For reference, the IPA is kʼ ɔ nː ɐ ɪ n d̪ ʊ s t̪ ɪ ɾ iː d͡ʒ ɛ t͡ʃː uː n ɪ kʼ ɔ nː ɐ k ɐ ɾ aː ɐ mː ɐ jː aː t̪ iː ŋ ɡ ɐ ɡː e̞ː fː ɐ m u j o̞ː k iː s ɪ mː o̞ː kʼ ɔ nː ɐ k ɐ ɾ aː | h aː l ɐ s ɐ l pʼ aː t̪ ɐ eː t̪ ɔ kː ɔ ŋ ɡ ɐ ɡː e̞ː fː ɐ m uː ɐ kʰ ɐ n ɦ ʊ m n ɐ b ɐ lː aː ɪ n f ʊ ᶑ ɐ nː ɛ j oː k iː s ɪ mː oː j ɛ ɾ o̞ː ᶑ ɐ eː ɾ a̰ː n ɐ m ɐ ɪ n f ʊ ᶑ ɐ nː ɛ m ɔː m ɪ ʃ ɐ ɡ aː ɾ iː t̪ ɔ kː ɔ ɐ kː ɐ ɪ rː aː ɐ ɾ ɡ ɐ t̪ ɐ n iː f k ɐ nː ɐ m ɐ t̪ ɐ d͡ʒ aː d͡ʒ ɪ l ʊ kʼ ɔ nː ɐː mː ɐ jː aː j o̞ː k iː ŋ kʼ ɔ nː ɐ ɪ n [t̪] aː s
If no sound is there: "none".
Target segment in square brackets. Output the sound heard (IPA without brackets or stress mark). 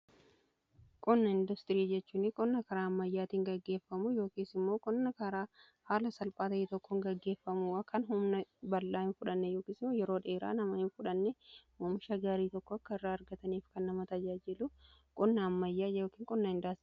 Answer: d̪